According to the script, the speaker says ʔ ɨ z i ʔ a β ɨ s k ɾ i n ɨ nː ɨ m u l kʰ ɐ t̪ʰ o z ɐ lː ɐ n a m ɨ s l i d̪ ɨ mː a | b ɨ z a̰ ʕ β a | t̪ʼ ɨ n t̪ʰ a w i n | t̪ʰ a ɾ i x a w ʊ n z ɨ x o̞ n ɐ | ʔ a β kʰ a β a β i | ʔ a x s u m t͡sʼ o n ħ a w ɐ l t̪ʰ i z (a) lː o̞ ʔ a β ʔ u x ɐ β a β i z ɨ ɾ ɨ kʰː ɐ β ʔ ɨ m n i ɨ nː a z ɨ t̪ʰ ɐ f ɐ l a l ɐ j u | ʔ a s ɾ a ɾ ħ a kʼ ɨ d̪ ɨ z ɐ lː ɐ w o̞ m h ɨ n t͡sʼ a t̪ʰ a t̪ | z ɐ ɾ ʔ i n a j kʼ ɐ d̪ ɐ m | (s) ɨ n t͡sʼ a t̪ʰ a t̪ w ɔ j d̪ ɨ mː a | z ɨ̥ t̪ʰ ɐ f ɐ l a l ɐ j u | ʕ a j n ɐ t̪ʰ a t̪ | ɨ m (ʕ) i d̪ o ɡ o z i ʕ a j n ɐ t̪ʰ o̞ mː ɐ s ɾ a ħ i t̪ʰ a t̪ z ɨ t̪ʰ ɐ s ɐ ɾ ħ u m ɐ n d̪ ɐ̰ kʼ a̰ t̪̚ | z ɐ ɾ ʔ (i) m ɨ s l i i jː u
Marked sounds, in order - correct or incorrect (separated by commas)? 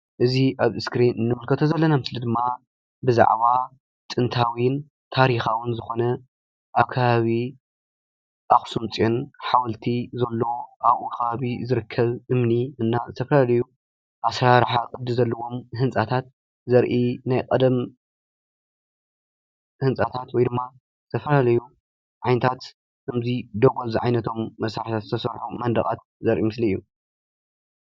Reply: incorrect, incorrect, incorrect, correct